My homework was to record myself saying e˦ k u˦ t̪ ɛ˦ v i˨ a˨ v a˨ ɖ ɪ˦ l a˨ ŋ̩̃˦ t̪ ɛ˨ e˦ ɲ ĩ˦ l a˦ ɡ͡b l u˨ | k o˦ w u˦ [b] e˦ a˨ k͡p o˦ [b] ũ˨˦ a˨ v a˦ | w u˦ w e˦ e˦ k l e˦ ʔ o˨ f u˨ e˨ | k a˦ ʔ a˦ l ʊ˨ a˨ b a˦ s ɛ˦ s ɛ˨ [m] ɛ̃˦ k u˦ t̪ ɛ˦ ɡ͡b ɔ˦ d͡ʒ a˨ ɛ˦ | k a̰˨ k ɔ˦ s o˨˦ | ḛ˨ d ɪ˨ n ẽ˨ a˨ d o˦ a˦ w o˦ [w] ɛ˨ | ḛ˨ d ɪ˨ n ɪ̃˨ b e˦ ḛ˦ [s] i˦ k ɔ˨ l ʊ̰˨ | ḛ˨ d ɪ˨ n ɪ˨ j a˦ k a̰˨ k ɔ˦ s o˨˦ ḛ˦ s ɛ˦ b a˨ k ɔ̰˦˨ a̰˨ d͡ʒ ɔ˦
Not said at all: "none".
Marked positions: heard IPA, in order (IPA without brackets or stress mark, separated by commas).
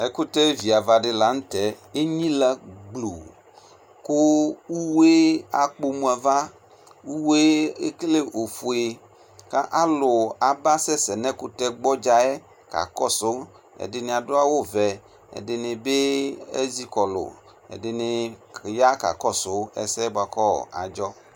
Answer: w, m, n, v, z